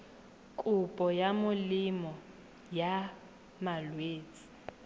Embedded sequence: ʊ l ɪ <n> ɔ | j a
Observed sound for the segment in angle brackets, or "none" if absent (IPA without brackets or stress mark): m